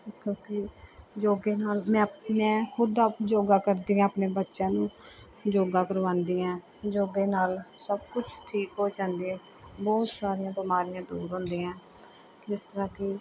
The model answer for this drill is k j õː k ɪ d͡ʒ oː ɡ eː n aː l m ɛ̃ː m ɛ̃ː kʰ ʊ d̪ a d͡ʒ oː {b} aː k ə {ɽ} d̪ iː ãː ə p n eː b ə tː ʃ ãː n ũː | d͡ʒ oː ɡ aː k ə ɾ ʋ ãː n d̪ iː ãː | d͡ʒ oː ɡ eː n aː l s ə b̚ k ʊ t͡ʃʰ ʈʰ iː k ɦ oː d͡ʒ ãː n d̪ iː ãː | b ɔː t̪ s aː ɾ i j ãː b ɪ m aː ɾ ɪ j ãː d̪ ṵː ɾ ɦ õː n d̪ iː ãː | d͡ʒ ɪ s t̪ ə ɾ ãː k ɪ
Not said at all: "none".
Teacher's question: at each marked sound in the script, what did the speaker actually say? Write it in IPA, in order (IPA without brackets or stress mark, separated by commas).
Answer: ɡ, ɾ